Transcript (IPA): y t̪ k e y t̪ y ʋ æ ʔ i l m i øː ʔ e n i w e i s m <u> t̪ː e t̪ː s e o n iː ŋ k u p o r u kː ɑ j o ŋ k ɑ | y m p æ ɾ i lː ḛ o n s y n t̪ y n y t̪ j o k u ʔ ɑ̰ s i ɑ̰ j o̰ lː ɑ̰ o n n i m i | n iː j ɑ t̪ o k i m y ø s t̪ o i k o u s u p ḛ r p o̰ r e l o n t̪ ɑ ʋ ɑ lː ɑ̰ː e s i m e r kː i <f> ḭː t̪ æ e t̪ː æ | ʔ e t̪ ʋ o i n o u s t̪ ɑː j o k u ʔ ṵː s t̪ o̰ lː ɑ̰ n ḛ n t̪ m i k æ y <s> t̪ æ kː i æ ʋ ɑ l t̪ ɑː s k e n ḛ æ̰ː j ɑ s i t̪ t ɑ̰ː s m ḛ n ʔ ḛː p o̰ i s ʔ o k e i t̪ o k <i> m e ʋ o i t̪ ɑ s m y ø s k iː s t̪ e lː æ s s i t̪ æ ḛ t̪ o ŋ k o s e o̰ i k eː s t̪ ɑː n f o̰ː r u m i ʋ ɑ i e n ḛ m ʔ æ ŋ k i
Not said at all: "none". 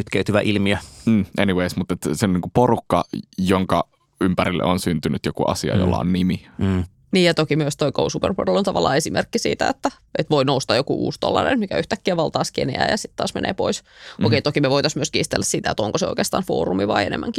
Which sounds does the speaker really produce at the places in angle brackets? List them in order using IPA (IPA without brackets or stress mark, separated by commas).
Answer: u, s, h, i